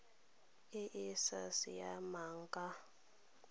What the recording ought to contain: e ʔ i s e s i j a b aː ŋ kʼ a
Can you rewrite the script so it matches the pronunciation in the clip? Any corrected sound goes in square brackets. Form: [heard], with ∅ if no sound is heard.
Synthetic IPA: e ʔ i s [a] s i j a [m] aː ŋ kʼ a